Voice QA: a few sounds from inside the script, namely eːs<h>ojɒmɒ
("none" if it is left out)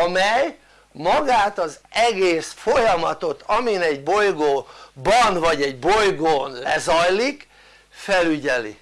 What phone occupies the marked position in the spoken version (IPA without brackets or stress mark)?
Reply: f